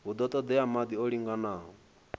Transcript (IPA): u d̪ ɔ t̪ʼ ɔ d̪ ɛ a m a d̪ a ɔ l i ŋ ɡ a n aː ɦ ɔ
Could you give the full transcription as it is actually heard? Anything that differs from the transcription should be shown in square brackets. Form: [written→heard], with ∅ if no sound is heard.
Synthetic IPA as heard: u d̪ ɔ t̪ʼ ɔ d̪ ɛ a m a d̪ [a→i] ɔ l i ŋ ɡ a n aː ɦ ɔ